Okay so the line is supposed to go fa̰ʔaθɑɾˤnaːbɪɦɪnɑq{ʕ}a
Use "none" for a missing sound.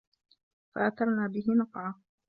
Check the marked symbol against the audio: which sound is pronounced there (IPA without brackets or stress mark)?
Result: ʕ